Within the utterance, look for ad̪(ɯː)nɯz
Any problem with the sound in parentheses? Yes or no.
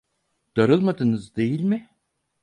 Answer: yes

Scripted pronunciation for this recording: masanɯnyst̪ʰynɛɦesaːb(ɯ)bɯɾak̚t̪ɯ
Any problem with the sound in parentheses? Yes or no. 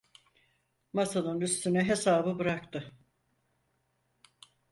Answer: no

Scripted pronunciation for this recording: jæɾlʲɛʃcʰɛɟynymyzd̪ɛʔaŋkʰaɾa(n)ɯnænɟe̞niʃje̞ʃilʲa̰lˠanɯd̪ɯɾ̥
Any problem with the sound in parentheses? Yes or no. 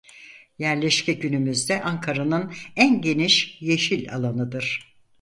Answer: no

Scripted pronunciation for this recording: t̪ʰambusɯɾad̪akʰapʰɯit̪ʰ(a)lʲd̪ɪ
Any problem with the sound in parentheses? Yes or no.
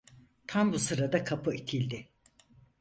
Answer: yes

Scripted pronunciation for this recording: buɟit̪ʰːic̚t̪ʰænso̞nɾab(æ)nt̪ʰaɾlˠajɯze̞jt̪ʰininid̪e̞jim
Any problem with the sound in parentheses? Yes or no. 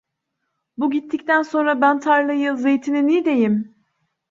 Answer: no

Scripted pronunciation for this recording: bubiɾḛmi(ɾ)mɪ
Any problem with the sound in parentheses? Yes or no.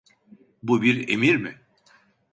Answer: no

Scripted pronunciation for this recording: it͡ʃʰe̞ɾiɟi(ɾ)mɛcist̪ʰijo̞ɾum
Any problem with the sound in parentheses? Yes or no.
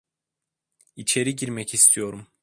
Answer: no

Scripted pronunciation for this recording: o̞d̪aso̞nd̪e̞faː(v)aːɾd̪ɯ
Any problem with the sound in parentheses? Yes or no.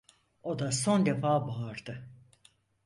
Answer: yes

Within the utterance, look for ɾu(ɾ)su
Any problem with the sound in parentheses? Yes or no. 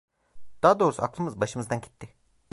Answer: yes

